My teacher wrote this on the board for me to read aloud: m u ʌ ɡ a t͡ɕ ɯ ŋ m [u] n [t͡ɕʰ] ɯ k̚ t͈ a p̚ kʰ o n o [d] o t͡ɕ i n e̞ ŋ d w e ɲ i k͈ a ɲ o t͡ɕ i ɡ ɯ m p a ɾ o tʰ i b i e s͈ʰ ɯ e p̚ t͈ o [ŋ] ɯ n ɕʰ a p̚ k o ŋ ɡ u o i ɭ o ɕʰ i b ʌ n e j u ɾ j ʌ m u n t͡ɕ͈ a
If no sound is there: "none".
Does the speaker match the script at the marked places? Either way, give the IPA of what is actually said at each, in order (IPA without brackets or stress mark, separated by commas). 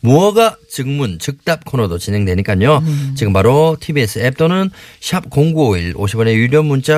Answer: u, t͡ɕ, d, n